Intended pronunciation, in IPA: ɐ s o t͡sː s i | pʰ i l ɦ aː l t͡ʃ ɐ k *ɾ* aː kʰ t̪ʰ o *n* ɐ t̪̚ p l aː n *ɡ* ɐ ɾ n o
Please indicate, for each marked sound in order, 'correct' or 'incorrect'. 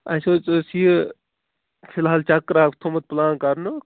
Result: correct, incorrect, incorrect

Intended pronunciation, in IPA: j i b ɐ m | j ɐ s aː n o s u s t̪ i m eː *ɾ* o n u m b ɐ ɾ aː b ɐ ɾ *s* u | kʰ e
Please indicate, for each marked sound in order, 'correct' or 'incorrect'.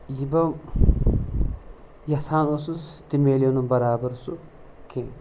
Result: incorrect, correct

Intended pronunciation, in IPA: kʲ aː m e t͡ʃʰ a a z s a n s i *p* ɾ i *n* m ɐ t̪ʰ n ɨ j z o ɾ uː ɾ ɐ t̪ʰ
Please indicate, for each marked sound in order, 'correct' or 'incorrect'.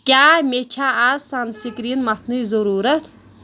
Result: incorrect, correct

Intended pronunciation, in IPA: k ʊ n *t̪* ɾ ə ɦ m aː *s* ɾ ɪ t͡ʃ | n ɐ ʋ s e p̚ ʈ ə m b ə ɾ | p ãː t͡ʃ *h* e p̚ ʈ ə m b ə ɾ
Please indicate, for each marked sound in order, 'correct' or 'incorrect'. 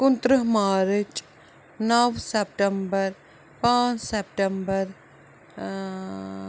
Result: correct, incorrect, incorrect

